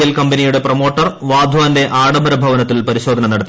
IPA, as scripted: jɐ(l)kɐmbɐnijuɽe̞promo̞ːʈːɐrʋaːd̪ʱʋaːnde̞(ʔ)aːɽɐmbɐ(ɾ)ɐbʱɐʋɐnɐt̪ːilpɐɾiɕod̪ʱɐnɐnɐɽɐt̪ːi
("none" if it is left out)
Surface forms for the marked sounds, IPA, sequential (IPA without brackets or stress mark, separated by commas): l, ʔ, ɾ